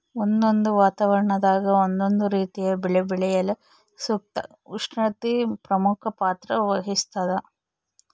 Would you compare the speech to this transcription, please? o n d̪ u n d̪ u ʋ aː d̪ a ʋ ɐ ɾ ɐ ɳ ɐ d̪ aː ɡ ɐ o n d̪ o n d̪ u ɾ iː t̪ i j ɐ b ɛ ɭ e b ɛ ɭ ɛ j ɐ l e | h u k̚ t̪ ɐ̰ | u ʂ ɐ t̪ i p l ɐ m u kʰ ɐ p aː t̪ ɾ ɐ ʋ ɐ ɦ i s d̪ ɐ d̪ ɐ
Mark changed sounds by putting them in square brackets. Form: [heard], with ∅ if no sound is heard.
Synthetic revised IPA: o n d̪ [o] n d̪ u ʋ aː [t̪] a ʋ ɐ ɾ ɐ ɳ ɐ d̪ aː ɡ ɐ o n d̪ o n d̪ u ɾ iː t̪ i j ɐ b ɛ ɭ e b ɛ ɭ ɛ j ɐ l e | [s] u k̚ t̪ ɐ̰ | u ʂ ɐ t̪ i p [ɾ] ɐ m u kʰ ɐ p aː t̪ ɾ ɐ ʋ ɐ ɦ i s [t̪] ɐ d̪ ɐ